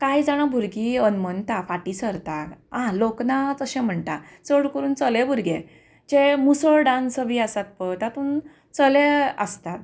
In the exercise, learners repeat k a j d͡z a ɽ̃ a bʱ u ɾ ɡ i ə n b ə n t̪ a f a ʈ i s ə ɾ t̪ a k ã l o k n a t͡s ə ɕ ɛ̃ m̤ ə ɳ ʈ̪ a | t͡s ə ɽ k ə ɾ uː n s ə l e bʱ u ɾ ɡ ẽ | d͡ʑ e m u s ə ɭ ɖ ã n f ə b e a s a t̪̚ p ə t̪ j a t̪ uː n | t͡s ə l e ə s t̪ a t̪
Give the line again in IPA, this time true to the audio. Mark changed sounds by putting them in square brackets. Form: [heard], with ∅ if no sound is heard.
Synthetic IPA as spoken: k a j d͡z a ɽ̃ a bʱ u ɾ ɡ i ə n [m] ə n t̪ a f a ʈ i s ə ɾ t̪ a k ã l o k n a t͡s ə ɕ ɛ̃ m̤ ə ɳ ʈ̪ a | t͡s ə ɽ k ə ɾ uː n [t͡s] ə l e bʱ u ɾ ɡ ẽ | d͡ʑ e m u s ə ɭ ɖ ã n [s] ə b [i] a s a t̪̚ p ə t̪ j a t̪ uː n | t͡s ə l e ə s t̪ a t̪

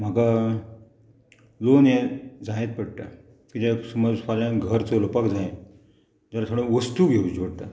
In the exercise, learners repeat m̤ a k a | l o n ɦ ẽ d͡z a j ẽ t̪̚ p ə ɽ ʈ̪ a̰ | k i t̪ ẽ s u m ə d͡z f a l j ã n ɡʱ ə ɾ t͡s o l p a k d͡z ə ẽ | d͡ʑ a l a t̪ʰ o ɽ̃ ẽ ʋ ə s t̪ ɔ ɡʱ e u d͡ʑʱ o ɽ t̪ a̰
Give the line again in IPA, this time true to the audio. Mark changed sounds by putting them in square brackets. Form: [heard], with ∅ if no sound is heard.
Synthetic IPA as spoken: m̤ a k a | l o n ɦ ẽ d͡z a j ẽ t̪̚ p ə ɽ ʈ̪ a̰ | k i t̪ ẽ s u m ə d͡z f a l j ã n ɡʱ ə ɾ t͡s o l p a k d͡z [a] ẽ | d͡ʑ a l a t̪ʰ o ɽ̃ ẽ ʋ ə s t̪ [u] ɡʱ e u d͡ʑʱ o ɽ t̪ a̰

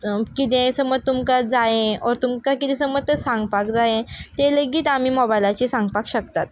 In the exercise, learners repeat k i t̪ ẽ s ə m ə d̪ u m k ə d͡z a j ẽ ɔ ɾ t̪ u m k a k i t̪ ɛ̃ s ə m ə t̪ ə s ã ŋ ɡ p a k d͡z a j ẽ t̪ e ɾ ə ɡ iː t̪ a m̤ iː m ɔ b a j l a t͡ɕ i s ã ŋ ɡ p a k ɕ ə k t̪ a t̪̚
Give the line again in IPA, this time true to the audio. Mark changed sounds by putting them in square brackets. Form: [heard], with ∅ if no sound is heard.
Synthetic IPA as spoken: k i t̪ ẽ s ə m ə [t̪] u m k [a] d͡z a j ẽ ɔ ɾ t̪ u m k a k i t̪ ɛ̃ s ə m ə t̪ ə s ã ŋ ɡ p a k d͡z a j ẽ t̪ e [l] ə ɡ iː t̪ a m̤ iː m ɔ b a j l a t͡ɕ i s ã ŋ ɡ p a k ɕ ə k t̪ a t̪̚

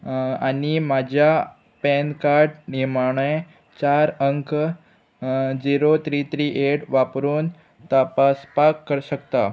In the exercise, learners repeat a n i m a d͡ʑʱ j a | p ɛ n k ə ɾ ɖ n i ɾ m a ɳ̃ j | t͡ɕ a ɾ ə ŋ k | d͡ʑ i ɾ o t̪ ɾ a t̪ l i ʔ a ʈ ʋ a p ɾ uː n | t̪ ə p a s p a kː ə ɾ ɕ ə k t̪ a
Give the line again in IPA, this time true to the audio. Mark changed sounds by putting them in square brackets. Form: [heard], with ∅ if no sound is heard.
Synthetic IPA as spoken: a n i m a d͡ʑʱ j a | p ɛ n k [a] ɾ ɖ n i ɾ m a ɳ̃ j | t͡ɕ a ɾ ə ŋ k | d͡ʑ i ɾ o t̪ ɾ [i] t̪ [ɾ] i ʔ [e] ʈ ʋ a p ɾ uː n | t̪ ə p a s p a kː ə ɾ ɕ ə k t̪ a

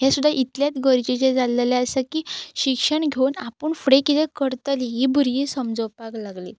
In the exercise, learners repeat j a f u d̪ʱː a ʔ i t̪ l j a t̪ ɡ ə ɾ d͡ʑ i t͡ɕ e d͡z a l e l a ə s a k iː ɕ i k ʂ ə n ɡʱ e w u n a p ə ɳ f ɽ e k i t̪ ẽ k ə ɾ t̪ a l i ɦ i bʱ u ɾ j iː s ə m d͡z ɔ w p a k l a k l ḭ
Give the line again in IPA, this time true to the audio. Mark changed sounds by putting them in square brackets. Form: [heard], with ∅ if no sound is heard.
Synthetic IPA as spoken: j a [s] u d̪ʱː a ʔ i t̪ l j a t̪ ɡ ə ɾ d͡ʑ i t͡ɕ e d͡z a l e l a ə s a k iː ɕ i k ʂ ə [ɳ] ɡʱ e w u n a p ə ɳ f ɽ e k i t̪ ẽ k ə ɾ t̪ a l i ɦ i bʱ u ɾ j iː s ə m d͡z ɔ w p a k l a [ɡ] l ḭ

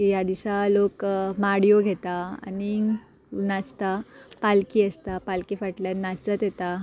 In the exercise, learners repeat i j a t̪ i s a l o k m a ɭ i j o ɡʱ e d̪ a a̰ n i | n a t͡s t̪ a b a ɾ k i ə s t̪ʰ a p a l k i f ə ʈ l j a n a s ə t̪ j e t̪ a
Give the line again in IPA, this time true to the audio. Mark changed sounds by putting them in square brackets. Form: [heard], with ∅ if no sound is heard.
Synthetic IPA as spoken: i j a [d̪] i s a l o k m a [ɽ] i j o ɡʱ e [t̪] a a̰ n i | n a t͡s t̪ a [p] a [l] k i ə s [t̪] a p a l k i f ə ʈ l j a n a [t͡s] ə t̪ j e t̪ a

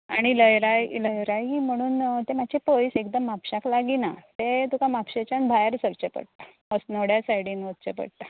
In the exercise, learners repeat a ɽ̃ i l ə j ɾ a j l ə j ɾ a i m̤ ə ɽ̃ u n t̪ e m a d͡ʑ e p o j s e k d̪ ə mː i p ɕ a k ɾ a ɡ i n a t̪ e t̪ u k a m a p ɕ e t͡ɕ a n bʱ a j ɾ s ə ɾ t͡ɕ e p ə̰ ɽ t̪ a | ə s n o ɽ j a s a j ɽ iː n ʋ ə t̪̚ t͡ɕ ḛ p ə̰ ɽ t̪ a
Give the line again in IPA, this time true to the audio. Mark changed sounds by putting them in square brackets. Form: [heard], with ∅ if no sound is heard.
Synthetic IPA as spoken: a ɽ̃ i l ə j ɾ a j l ə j ɾ a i m̤ ə ɽ̃ [uː] n t̪ e m a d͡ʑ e p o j s e k d̪ ə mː [a] p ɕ a k [l] a ɡ i n a t̪ e t̪ u k a m a p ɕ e t͡ɕ a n bʱ a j ɾ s ə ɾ t͡ɕ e p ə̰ ɽ t̪ a | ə s n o ɽ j a s a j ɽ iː n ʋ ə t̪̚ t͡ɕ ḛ p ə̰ ɽ t̪ a

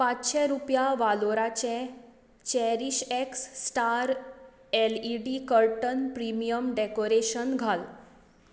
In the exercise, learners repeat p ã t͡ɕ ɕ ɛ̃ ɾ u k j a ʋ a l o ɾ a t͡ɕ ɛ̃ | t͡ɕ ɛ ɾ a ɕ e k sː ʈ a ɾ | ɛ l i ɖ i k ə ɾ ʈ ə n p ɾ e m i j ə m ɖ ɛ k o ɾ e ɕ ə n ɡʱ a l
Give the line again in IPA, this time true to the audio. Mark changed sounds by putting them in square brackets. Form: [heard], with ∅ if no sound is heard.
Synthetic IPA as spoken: p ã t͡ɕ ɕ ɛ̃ ɾ u [p] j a ʋ a l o ɾ a t͡ɕ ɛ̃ | t͡ɕ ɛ ɾ [i] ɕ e k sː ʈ a ɾ | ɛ l i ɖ i k ə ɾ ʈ ə n p ɾ [i] m i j ə m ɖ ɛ k o ɾ e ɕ ə n ɡʱ a l

